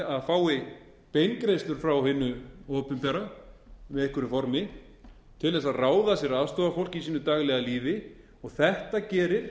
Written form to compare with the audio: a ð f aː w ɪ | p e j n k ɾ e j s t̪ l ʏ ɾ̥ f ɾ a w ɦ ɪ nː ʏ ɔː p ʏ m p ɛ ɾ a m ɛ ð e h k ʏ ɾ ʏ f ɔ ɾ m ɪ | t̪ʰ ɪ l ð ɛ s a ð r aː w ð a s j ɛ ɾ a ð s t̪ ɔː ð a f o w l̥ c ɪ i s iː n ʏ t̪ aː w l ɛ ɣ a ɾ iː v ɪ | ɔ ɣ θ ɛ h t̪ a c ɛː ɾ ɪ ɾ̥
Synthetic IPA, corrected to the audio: a ð f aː w ɪ | p e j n k ɾ e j s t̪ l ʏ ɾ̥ f ɾ a w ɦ ɪ nː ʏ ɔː p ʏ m p ɛ ɾ a m ɛ ð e h k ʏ ɾ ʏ f ɔ ɾ m ɪ | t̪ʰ ɪ l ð ɛ s a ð r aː w ð a s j ɛ ɾ a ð s t̪ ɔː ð a f o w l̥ c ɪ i s iː n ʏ t̪ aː ɣ l ɛ ɣ a l iː v ɪ | ɔ ɣ θ ɛ h t̪ a c ɛː ɾ ɪ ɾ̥